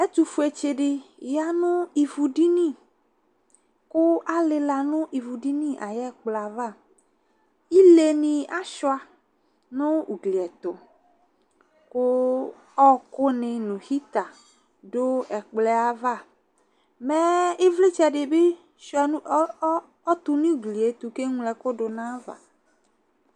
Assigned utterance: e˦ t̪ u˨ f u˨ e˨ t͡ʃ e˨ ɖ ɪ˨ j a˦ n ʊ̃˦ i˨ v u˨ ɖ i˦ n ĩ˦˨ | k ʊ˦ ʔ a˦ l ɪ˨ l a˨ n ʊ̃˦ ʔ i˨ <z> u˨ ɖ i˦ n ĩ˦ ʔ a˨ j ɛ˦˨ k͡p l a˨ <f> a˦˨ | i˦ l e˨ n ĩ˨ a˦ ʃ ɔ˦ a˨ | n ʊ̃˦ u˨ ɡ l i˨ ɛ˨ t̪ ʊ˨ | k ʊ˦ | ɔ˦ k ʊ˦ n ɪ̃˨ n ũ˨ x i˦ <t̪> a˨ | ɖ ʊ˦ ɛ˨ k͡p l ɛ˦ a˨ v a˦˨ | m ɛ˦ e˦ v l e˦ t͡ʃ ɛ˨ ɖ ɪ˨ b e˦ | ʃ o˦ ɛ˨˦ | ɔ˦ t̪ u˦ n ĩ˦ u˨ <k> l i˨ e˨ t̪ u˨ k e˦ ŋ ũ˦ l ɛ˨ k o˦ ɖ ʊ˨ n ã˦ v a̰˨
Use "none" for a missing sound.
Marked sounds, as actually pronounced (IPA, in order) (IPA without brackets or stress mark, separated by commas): v, v, t̪, ɡ